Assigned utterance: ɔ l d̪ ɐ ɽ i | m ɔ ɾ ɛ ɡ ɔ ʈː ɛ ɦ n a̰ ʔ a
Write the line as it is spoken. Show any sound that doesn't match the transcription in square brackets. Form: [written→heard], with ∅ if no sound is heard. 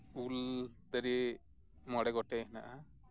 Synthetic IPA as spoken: [ɔ→u] l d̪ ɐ [ɽ→ɾ] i | m ɔ [ɾ→ɽ] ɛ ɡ ɔ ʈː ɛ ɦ n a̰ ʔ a